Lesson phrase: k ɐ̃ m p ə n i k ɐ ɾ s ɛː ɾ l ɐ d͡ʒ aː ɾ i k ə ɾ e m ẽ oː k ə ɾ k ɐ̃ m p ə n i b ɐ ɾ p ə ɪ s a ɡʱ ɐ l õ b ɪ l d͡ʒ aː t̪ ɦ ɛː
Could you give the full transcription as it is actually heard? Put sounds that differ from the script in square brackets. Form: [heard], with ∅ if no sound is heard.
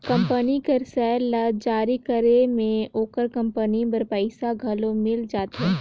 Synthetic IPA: k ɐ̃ m p ə n i k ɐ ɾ s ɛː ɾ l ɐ d͡ʒ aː ɾ i k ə ɾ e m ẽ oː k ə ɾ k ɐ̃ m p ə n i b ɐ ɾ p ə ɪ s a ɡʱ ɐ l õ [m] ɪ l d͡ʒ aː t̪ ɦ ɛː